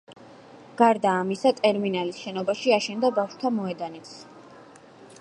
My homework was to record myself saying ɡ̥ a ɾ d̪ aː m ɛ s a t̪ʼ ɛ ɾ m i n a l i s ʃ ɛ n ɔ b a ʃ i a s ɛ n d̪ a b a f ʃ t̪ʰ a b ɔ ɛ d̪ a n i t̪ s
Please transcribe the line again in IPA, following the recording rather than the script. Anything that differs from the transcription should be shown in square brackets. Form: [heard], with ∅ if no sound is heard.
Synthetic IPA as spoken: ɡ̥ a ɾ d̪ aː m [i] s a t̪ʼ ɛ ɾ m i n a l i s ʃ ɛ n ɔ b a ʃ i a [ʃ] ɛ n d̪ a b a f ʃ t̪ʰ a [m] ɔ ɛ d̪ a n i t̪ s

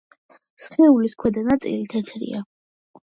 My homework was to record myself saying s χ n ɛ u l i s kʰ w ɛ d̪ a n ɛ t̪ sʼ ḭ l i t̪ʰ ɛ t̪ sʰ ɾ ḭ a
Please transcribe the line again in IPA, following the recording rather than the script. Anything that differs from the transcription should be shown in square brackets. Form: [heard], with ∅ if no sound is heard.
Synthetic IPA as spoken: s χ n ɛ u l i s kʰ w ɛ d̪ a n [a] t̪ sʼ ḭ l i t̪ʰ ɛ t̪ sʰ ɾ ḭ a

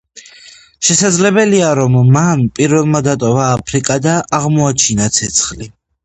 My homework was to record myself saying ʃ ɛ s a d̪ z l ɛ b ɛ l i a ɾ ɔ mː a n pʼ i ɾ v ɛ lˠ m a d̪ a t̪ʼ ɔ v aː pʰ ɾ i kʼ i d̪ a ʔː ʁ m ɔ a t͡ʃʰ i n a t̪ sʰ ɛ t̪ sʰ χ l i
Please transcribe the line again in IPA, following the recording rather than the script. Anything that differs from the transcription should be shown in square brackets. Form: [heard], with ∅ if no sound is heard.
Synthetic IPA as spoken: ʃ ɛ s a d̪ z l ɛ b ɛ l i a ɾ ɔ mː a n pʼ i ɾ v ɛ lˠ m a d̪ a t̪ʼ ɔ v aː pʰ ɾ i kʼ [a] d̪ a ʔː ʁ m ɔ a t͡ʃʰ i n a t̪ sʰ ɛ t̪ sʰ χ l i

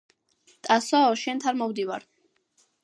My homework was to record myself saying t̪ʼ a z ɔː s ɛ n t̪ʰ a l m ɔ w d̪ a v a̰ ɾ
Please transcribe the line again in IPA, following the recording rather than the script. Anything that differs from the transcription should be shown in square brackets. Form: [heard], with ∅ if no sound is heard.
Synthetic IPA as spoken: t̪ʼ a [s] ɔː [ʃ] ɛ n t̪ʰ a [ɾ] m ɔ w d̪ [i] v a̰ ɾ

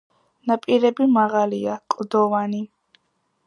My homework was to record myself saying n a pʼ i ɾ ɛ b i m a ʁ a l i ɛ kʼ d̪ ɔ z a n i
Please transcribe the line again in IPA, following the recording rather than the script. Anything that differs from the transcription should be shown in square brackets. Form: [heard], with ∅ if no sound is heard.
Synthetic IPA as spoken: n a pʼ i ɾ ɛ b i m a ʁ a l i [a] kʼ d̪ ɔ [v] a n i

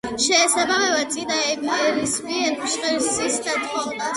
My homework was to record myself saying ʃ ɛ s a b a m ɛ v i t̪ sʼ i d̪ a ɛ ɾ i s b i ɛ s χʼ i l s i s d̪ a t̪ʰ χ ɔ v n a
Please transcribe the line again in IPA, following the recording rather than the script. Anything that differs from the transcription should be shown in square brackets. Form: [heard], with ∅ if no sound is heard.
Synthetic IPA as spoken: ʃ ɛ s a b a m ɛ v [a] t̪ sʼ i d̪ a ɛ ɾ i s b i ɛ [ʃ] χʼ i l s i s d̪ a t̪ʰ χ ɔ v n a

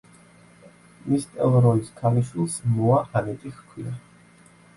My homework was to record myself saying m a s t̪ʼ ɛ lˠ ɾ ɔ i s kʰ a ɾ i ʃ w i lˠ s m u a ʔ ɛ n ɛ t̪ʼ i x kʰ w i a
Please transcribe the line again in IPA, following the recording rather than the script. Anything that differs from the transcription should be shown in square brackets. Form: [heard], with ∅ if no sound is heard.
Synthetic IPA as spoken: m [i] s t̪ʼ ɛ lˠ ɾ ɔ i s kʰ a [l] i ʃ w i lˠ s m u a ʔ [a] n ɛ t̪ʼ i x kʰ w i a

